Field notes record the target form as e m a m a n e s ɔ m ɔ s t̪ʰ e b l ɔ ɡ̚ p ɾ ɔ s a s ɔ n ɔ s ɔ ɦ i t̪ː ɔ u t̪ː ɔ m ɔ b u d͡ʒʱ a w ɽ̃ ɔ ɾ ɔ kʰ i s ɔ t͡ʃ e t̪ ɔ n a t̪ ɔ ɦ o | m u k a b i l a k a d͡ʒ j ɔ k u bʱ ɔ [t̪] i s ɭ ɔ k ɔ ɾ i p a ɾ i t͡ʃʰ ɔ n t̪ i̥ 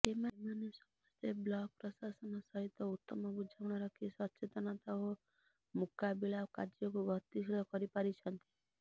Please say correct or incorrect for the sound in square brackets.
correct